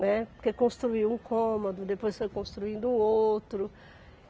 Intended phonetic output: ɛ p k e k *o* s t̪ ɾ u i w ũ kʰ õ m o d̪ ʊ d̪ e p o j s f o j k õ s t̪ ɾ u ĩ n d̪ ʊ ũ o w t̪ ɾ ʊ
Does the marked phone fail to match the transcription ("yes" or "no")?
yes